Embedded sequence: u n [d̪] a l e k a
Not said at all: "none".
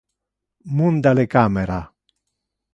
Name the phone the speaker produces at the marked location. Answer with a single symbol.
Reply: d̪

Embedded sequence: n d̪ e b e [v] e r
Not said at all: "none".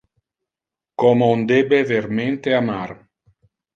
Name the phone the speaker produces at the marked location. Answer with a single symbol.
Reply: v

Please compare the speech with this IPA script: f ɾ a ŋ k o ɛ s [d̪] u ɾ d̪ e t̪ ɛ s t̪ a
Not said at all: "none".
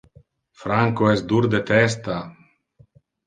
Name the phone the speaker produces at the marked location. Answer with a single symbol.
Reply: d̪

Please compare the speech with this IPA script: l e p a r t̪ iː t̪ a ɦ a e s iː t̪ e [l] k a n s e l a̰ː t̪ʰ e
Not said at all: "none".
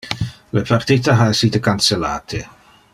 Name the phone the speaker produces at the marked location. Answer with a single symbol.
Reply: none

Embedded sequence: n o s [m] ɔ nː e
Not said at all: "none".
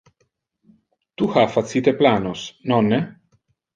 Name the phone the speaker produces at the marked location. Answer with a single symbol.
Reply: n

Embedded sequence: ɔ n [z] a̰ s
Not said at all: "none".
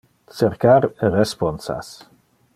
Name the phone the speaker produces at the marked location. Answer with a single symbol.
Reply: s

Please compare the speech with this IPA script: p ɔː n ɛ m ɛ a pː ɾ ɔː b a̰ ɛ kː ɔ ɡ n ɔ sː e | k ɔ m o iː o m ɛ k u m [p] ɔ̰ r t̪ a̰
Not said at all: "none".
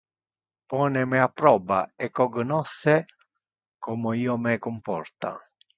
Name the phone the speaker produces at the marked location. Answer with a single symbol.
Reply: p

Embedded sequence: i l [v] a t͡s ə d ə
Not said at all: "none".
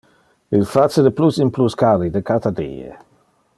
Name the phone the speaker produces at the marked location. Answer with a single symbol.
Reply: f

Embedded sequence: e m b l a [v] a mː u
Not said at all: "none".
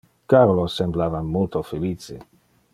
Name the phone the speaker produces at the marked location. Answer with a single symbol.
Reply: v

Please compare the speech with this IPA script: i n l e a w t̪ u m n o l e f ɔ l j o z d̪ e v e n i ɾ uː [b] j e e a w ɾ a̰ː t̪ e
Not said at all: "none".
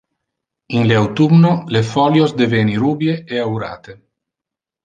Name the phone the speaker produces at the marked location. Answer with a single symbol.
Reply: b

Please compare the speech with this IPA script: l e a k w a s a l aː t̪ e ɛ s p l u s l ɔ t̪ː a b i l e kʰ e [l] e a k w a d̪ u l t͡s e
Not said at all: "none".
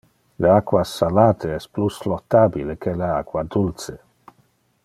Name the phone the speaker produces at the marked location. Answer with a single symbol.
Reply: l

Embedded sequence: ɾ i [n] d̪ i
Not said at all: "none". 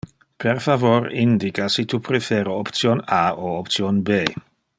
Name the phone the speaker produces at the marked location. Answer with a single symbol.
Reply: n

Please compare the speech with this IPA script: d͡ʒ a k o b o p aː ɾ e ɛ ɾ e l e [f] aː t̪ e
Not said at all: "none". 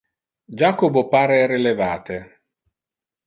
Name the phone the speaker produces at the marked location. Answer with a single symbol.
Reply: v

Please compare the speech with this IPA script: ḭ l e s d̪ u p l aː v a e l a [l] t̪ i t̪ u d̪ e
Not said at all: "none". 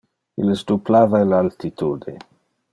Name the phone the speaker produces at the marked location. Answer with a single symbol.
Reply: l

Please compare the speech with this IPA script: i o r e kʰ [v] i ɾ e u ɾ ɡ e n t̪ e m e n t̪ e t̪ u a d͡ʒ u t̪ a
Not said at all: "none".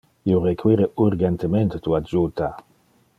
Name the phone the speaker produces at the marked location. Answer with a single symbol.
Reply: w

